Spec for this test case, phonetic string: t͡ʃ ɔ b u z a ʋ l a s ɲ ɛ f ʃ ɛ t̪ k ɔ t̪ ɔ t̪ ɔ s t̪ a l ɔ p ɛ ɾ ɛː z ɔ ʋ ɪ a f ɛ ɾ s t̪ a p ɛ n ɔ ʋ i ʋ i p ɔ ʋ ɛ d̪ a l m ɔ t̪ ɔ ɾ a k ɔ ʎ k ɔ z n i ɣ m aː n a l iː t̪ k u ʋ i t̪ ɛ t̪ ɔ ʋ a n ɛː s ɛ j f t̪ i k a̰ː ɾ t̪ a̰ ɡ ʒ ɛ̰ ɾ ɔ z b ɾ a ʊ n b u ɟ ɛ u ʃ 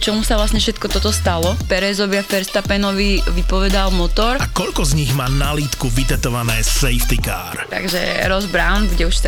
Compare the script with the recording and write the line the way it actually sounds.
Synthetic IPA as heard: t͡ʃ ɔ m u s a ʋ l a s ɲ ɛ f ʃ ɛ t̪ k ɔ t̪ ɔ t̪ ɔ s t̪ a l ɔ p ɛ ɾ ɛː z ɔ ʋ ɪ a f ɛ ɾ s t̪ a p ɛ n ɔ ʋ i ʋ i p ɔ ʋ ɛ d̪ a l m ɔ t̪ ɔ ɾ a k ɔ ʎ k ɔ z ɲ i ɣ m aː n a l iː t̪ k u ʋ i t̪ ɛ t̪ ɔ ʋ a n ɛː s ɛ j f t̪ i k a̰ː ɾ t̪ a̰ ɡ ʒ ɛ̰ ɾ ɔ z b ɾ a ʊ n b u ɟ ɛ u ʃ